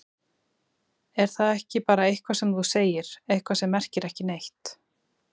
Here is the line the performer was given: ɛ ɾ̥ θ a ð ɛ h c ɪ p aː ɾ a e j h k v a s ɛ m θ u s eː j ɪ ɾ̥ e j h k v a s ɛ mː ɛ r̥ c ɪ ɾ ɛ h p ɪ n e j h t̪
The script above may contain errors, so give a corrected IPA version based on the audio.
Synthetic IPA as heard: ɛ ɾ̥ θ a ð ɛ h c ɪ p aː ɾ a e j h k v a s ɛ m θ u s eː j ɪ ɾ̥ e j h k v a s ɛ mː ɛ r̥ c ɪ ɾ ɛ h c ɪ n e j h t̪